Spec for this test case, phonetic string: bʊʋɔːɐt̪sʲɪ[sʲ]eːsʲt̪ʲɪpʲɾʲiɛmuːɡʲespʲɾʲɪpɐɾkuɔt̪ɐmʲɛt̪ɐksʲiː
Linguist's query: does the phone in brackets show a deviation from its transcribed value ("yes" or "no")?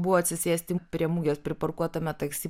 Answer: no